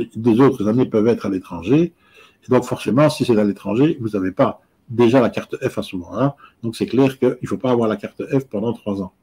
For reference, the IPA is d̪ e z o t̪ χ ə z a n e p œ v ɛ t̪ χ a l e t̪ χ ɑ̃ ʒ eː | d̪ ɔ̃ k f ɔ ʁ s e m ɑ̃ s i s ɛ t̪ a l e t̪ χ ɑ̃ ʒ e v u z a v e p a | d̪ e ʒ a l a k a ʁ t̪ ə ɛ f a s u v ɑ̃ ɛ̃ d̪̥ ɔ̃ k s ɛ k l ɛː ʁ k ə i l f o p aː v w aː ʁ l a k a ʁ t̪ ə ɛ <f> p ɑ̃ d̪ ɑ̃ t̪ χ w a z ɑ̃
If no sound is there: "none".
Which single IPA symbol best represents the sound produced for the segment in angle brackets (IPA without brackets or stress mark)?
f